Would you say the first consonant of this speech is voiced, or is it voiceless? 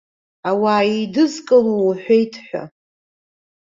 voiced